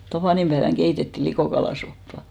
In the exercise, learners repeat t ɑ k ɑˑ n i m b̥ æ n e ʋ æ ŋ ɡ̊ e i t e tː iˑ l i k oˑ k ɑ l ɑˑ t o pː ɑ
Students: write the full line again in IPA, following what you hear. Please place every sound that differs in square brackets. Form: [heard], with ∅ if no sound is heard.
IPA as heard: t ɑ [p] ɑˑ n i m b̥ æ [∅] e ʋ æ ŋ ɡ̊ e i t e tː iˑ l i k oˑ k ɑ l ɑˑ [s] o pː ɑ